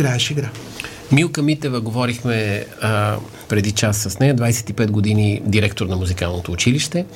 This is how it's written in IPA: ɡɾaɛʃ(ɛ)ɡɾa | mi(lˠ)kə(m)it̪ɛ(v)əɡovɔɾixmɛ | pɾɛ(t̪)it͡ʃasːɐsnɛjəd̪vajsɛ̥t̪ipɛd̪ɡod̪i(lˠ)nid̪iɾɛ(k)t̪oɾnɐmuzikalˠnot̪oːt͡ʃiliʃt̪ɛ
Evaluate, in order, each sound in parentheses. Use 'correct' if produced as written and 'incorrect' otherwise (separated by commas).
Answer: incorrect, correct, correct, correct, incorrect, incorrect, correct